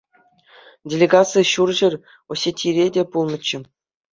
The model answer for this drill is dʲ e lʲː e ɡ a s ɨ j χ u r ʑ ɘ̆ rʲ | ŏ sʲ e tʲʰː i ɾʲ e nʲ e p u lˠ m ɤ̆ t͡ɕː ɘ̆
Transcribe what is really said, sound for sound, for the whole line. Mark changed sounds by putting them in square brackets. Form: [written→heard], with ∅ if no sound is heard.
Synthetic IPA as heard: dʲ e [lʲː→lʲ] e ɡ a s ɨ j [χ→ɕ] u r ʑ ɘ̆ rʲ | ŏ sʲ e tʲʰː i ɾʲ e [nʲ→dʲ] e p u lˠ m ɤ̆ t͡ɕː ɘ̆